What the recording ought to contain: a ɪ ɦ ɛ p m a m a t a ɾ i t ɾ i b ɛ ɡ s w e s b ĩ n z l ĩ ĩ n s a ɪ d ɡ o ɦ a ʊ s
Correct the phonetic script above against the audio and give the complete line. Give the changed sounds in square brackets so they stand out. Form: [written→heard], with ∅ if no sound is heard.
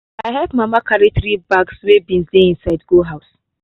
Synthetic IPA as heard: a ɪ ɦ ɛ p m a m a [t→k] a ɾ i t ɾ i b [ɛ→a] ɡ s w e [s→∅] b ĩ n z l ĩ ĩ n s a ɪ d ɡ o ɦ a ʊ s